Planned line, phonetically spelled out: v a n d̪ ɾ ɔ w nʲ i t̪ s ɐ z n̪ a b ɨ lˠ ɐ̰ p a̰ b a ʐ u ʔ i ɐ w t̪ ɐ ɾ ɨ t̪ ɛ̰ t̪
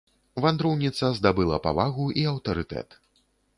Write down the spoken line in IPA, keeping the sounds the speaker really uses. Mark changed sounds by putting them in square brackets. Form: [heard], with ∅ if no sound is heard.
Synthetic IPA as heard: v a n d̪ ɾ ɔ w nʲ i t̪ s ɐ z [d̪] a b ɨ lˠ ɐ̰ p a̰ [v] a [ɣ] u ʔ i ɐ w t̪ ɐ ɾ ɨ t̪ ɛ̰ t̪